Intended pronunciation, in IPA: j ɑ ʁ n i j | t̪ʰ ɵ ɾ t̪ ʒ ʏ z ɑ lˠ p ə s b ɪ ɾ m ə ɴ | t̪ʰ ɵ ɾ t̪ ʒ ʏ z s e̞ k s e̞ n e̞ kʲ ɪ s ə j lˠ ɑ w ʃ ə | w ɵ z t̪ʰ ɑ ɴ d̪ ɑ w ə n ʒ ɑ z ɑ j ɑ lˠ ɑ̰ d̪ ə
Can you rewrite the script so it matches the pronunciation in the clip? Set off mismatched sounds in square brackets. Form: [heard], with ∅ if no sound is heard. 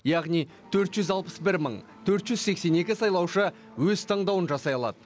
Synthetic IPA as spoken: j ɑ ʁ n i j | t̪ʰ ɵ ɾ t̪ ʒ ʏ z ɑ lˠ p ə s b ɪ ɾ m ə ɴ | t̪ʰ ɵ ɾ t̪ ʒ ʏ z s e̞ k s e̞ n e̞ kʲ ɪ s [ɑ] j lˠ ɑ w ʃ ə | w ɵ z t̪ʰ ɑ ɴ d̪ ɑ w ə n ʒ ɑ [s] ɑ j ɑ lˠ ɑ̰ d̪ ə